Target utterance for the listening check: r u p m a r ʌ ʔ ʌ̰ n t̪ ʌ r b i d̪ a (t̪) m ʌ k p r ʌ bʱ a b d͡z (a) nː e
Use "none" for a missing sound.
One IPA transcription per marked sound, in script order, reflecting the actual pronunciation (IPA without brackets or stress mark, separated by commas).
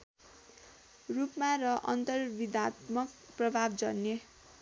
t̪, ʌ